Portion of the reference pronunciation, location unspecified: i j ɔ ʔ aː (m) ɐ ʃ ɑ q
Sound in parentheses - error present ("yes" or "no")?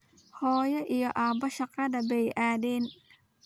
yes